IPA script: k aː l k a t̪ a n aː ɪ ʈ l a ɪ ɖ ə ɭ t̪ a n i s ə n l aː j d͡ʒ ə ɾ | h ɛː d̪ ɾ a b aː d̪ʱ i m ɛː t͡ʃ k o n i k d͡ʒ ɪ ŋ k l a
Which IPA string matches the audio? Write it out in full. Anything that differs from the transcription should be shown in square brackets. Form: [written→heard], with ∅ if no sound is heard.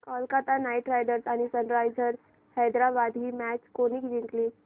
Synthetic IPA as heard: k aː l k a t̪ a n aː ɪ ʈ [l→ɾ] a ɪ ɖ ə [ɭ→ɾ] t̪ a n i s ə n [l→ɾ] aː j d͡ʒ ə ɾ | h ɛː d̪ ɾ a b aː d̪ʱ i m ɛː t͡ʃ k o n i k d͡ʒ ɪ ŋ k l [a→i]

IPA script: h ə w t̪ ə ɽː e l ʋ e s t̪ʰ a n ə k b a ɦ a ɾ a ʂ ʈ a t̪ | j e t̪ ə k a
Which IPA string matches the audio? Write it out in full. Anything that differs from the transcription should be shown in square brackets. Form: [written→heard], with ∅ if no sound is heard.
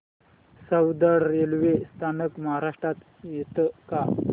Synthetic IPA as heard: [h→s] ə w [t̪→d̪] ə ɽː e l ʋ e s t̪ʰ a n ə k [b→m] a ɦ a ɾ a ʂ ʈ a t̪ | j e t̪ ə k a

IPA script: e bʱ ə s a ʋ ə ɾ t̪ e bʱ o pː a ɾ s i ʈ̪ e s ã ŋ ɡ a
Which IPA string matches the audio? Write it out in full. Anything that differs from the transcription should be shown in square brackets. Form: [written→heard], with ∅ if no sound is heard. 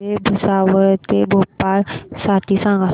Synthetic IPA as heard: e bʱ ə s a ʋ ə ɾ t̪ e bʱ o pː a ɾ s [i→a] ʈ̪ [e→i] s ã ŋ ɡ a

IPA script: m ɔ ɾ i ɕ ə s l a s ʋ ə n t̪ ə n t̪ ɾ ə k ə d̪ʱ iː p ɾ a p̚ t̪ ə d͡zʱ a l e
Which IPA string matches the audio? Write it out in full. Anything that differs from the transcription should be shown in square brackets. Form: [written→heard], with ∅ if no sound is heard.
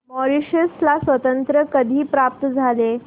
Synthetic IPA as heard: m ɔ ɾ i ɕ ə s l a s ʋ ə [n→∅] t̪ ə n t̪ ɾ ə k ə d̪ʱ iː p ɾ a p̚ t̪ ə d͡zʱ a l e

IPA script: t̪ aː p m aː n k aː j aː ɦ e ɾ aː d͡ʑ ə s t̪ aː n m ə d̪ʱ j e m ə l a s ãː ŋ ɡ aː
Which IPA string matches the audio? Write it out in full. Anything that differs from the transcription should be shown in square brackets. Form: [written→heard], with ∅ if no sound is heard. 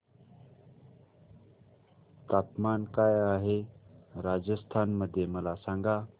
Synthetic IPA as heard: t̪ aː p m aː n k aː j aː ɦ e ɾ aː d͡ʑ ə s [t̪→t̪ʰ] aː n m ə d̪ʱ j e m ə l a s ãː ŋ ɡ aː

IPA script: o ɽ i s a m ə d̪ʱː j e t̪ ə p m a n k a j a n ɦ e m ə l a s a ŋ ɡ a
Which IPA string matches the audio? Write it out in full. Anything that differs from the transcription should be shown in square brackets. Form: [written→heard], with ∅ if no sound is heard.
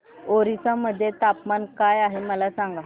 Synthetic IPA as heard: o [ɽ→ɾ] i s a m ə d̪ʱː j e t̪ [ə→a] p m a n k a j a [n→∅] ɦ e m ə l a s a ŋ ɡ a

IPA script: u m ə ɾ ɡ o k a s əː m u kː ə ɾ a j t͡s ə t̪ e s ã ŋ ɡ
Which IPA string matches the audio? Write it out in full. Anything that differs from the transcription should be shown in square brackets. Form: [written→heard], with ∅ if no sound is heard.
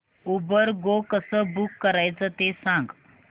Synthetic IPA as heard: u [m→b] ə ɾ ɡ o k [a→ə] s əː [m→b] u kː ə ɾ a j t͡s ə t̪ e s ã ŋ ɡ

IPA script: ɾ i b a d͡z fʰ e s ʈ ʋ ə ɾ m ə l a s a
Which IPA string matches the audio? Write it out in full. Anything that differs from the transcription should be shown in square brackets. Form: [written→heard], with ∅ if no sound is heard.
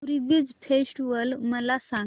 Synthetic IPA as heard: ɾ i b [a→i] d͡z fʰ e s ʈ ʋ ə [ɾ→l] m ə l a s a

